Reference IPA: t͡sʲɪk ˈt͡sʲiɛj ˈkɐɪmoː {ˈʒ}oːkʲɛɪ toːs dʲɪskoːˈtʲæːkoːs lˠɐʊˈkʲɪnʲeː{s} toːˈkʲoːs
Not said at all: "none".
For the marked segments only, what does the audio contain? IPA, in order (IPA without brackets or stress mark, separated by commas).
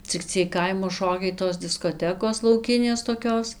ʃ, s